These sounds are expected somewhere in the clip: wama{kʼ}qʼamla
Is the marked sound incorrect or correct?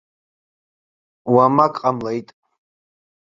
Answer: correct